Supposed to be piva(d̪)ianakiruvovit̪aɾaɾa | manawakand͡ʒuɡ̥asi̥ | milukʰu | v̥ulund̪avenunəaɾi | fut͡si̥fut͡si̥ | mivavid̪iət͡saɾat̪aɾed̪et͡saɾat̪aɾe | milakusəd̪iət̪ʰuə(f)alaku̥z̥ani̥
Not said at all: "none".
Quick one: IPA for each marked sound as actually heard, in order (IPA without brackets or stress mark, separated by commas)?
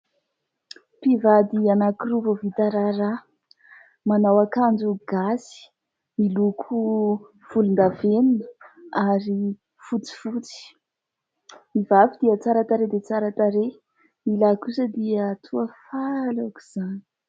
d̪, f